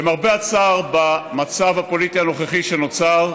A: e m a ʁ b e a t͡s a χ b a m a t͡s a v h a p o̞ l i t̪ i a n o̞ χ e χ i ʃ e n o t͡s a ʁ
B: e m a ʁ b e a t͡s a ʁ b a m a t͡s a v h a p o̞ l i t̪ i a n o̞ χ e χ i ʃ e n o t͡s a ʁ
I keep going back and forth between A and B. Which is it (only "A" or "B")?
B